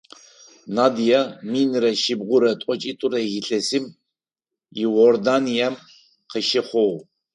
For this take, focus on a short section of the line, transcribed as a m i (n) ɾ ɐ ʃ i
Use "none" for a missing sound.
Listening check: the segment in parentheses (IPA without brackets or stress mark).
n